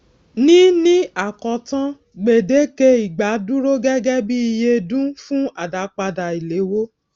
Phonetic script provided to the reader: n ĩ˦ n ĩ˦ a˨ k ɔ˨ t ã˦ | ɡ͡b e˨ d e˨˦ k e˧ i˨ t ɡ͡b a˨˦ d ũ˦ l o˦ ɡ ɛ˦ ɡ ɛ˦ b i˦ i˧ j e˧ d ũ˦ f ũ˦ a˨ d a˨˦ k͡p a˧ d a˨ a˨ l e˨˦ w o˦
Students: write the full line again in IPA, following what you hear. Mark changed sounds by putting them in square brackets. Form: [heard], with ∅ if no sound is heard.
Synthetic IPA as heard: n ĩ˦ n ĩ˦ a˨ k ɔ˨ t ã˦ | ɡ͡b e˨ d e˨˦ k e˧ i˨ [∅] ɡ͡b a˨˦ d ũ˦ [ɾ] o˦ ɡ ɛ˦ ɡ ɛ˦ b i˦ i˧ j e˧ d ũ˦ f ũ˦ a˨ d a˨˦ k͡p a˧ d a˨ [i˨] l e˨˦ w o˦